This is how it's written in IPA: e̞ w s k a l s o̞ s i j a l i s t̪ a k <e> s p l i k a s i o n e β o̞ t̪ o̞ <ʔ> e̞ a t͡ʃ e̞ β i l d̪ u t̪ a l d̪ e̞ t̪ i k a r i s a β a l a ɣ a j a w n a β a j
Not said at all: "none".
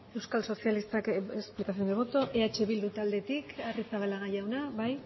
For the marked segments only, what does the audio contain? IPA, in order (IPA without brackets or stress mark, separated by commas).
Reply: e, ʔ